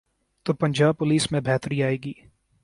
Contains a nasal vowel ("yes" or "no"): yes